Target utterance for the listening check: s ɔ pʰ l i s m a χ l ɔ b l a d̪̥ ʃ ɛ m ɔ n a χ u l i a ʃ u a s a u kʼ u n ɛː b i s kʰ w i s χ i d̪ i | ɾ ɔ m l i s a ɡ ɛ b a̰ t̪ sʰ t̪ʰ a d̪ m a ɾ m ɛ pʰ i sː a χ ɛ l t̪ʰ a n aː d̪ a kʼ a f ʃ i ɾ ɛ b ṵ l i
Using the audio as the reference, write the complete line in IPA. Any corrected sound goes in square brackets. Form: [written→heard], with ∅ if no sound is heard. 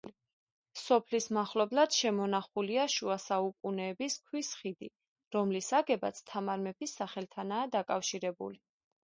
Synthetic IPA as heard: s ɔ pʰ l i s m a χ l ɔ b l a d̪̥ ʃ ɛ m ɔ n a χ u l i a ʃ u a s a u kʼ u n ɛː b i s kʰ w i s χ i d̪ i | ɾ ɔ m l i s a ɡ ɛ b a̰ t̪ sʰ t̪ʰ a [d̪→∅] m a ɾ m ɛ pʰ i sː a χ ɛ l t̪ʰ a n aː d̪ a kʼ a f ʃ i ɾ ɛ b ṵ l i